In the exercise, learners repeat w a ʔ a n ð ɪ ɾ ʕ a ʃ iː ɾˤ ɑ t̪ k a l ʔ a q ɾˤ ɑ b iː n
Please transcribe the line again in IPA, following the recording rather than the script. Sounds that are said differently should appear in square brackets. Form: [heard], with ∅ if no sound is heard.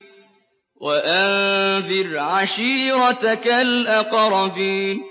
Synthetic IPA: w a ʔ a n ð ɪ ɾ ʕ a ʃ iː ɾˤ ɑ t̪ k a l ʔ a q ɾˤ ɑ b iː n